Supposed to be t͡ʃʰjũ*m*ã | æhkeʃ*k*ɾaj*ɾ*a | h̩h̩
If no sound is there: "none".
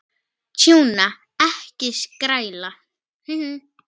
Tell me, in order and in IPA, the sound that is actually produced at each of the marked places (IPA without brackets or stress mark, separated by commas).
n, k, l